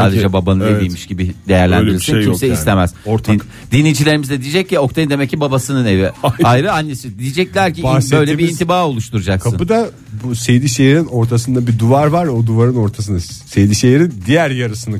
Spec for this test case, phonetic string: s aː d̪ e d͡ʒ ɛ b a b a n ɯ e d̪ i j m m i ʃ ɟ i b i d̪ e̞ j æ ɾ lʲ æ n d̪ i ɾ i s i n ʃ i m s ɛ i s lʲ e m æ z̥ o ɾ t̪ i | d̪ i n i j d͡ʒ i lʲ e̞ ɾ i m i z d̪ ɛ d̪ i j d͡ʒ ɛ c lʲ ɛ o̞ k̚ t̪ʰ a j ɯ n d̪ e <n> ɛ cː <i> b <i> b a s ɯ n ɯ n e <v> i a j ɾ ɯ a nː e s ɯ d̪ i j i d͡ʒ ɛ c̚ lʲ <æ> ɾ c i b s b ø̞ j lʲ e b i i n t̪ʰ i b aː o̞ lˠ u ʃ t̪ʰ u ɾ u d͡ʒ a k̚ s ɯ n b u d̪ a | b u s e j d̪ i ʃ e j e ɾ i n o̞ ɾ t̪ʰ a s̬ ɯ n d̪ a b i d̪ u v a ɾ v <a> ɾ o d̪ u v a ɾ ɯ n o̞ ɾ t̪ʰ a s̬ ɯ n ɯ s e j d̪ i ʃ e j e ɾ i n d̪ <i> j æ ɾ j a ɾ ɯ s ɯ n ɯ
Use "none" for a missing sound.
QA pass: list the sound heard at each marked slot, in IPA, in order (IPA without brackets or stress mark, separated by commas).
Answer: m, i, a, v, æ, a, i